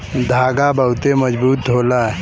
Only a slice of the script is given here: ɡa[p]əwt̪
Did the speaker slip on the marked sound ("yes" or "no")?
yes